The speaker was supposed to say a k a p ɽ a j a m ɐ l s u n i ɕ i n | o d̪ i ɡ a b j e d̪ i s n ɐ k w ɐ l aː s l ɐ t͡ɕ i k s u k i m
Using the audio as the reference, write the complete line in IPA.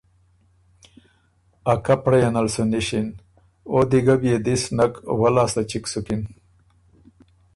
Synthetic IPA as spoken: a k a p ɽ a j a n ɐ l s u n i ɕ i n | o d̪ i ɡ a b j e d̪ i s n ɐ k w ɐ l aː s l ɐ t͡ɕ i k s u k i n